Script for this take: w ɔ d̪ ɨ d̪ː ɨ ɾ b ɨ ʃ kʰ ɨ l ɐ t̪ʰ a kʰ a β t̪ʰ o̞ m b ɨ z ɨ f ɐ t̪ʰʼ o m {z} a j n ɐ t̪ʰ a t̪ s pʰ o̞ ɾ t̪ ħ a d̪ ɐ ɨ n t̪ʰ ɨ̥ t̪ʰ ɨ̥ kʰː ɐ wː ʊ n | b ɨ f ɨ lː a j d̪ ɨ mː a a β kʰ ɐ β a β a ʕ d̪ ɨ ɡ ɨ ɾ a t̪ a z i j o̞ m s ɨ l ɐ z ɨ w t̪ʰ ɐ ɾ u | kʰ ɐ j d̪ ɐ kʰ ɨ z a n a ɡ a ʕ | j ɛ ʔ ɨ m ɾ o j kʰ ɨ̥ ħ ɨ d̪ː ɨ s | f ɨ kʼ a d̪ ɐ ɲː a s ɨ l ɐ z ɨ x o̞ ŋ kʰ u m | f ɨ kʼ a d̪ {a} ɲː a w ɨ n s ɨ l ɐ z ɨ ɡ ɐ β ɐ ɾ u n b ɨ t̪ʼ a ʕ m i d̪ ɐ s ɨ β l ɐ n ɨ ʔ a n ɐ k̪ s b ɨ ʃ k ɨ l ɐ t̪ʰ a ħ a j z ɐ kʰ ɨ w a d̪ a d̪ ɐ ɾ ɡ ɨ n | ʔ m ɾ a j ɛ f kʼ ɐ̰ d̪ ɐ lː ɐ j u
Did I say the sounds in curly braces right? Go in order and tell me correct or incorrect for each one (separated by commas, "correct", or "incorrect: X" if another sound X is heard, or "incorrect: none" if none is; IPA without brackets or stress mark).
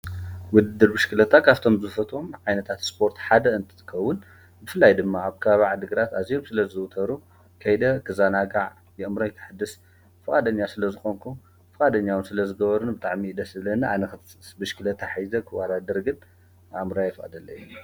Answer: incorrect: ʕ, incorrect: ɐ